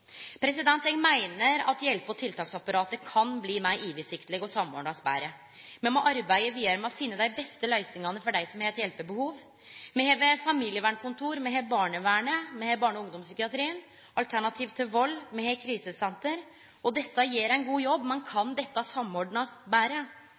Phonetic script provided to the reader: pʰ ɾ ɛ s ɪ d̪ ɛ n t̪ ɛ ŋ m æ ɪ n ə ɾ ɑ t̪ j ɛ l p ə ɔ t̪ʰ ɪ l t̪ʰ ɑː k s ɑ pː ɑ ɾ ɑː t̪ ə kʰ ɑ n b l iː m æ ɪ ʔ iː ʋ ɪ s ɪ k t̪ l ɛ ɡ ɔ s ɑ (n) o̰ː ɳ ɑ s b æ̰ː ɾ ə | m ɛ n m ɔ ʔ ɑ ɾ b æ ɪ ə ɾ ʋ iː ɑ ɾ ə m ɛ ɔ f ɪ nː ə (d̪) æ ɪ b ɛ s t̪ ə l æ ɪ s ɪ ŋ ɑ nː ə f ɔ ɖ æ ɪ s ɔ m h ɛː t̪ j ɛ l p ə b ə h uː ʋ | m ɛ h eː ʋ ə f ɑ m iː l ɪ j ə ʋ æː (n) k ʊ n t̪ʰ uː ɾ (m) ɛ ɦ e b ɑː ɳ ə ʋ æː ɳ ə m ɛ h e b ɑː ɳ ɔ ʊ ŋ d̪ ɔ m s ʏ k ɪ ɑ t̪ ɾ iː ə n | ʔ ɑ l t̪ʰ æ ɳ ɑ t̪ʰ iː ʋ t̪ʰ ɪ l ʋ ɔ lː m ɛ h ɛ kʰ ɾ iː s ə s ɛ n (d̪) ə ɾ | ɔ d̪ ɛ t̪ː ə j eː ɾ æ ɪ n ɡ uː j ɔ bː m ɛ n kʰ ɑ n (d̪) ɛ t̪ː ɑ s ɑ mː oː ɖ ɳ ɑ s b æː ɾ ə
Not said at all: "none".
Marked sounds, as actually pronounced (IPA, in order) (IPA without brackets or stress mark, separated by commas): m, d̪, ɳ, m, t̪, d̪